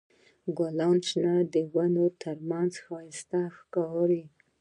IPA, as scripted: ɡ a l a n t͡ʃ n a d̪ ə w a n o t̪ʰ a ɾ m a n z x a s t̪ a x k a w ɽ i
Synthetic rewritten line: ɡ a l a n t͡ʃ n a d̪ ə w a n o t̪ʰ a ɾ m a n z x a s t̪ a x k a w ɾ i